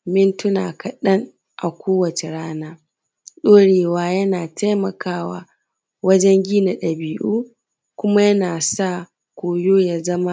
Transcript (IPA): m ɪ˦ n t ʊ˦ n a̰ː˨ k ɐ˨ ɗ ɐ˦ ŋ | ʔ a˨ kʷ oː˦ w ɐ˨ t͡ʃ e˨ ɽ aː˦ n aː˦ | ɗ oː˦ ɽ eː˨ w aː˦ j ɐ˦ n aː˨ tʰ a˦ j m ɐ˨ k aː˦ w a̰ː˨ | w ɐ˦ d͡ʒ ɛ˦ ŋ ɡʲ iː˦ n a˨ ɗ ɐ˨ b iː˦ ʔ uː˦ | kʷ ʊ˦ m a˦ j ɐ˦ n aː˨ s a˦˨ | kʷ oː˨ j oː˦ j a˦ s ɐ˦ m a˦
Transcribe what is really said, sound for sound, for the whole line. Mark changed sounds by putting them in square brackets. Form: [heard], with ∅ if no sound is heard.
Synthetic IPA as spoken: m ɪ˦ n t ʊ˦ n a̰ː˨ k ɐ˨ ɗ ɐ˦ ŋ | ʔ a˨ kʷ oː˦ w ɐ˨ t͡ʃ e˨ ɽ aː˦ n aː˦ | ɗ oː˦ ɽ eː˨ w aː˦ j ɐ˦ n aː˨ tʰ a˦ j m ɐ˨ k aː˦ w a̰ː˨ | w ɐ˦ d͡ʒ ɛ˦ ŋ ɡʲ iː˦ n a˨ ɗ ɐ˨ b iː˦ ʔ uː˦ | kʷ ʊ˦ m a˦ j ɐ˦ n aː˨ s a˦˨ | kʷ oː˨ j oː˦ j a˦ [z] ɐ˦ m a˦